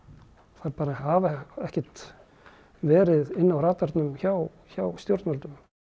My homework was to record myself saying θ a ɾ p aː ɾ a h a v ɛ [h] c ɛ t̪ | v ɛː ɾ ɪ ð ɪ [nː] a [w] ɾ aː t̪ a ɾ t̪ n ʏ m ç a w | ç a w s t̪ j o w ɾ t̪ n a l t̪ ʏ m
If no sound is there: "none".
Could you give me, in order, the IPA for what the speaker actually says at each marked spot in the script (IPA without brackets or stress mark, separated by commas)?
h, nː, w